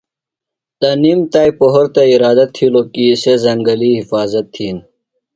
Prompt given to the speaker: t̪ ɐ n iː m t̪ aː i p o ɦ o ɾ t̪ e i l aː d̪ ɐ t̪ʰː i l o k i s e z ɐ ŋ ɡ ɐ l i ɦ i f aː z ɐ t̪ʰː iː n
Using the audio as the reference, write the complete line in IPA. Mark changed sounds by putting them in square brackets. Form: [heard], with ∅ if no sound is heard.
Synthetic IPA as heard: t̪ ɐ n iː m t̪ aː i p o ɦ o ɾ t̪ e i [ɾ] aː d̪ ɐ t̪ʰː i l o k i s e z ɐ ŋ ɡ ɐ l i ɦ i f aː z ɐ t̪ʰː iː n